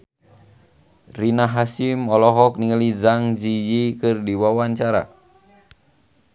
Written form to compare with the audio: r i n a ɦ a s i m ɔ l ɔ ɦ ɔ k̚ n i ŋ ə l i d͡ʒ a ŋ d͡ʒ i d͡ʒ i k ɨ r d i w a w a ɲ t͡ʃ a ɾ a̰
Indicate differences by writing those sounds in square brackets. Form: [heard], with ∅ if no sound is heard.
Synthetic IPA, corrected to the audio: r i n a ɦ a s i m ɔ l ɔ ɦ ɔ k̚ n i ŋ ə l i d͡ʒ a ŋ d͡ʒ i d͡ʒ i k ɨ r d i w a w a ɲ t͡ʃ a ɾ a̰